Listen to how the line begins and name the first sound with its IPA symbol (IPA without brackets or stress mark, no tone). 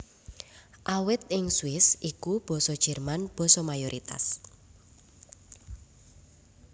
ʔ